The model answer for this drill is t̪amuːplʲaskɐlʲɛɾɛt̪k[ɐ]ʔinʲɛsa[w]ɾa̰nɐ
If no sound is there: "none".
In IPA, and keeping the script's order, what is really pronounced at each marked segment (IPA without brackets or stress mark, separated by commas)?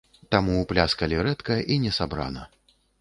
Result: ɐ, b